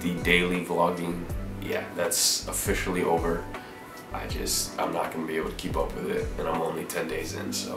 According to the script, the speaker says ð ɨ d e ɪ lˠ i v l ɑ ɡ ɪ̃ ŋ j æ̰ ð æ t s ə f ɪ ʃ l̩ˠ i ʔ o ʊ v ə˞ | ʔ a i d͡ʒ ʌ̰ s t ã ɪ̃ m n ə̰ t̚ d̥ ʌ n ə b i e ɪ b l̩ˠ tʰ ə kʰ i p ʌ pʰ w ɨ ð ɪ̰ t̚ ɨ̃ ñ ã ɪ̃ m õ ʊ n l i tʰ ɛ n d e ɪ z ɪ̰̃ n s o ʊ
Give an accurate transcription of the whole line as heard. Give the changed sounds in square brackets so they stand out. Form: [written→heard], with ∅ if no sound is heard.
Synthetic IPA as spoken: ð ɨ d e ɪ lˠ i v l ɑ ɡ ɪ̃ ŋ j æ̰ ð æ t s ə f ɪ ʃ l̩ˠ i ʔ o ʊ v ə˞ | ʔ a [i→ɪ] d͡ʒ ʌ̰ s t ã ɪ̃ m n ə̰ t̚ [d̥→ɡ̥] ʌ n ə b i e ɪ b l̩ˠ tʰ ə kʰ i p ʌ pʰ w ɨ ð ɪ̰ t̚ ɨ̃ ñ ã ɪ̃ m õ [ʊ→ʊ̃] n l i tʰ [ɛ→ɛ̃] n d e ɪ z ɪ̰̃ n s o ʊ